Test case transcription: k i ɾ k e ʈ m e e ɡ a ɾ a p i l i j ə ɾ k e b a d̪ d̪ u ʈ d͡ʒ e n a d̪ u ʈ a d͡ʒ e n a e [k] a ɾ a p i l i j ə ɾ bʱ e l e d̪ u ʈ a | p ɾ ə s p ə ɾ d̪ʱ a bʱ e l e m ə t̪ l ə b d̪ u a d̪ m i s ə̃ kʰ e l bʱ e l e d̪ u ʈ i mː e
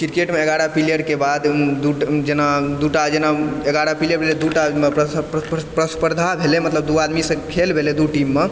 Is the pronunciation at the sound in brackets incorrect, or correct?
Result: incorrect: ɡ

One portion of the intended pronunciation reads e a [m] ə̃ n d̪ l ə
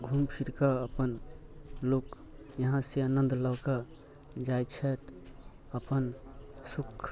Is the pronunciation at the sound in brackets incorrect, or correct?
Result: incorrect: n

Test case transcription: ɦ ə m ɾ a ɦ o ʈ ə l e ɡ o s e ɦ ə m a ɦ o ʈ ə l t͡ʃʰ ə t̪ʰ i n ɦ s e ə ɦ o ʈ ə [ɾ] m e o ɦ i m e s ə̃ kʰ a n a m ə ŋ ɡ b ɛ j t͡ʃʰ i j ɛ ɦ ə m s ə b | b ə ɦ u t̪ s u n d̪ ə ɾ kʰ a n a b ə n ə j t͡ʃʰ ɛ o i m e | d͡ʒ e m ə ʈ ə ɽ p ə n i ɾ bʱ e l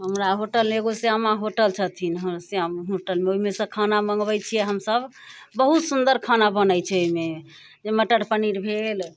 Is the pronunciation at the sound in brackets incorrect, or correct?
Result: incorrect: l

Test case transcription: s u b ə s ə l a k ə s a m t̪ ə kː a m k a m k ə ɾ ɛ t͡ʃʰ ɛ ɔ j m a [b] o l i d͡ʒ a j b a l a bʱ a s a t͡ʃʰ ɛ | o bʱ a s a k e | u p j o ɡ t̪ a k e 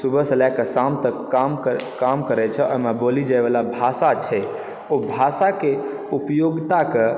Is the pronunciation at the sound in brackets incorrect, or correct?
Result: correct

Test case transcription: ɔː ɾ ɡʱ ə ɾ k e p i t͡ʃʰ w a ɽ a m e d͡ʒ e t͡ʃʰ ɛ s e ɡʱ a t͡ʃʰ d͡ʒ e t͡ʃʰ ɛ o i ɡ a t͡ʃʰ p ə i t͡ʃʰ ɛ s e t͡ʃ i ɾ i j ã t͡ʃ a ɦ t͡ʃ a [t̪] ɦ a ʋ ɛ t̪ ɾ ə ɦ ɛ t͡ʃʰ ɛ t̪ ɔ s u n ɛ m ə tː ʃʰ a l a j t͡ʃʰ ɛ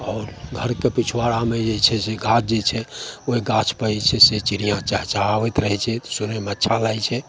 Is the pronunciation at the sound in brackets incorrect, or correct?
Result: incorrect: none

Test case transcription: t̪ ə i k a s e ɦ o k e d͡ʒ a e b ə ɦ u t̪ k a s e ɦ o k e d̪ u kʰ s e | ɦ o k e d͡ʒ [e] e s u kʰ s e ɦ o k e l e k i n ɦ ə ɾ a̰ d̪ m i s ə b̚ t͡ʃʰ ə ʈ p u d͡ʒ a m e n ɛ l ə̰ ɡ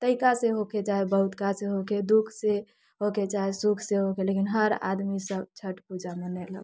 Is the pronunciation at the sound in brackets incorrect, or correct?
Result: incorrect: a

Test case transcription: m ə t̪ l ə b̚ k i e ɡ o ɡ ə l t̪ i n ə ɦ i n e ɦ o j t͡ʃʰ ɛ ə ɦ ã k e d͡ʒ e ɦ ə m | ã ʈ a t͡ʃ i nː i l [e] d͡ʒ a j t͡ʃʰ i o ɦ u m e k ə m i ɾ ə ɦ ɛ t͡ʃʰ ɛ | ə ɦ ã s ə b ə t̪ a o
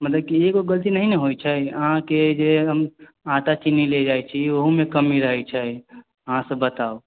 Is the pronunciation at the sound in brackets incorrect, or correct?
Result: correct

